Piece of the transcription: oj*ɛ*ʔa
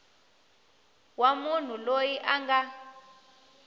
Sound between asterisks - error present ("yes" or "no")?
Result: yes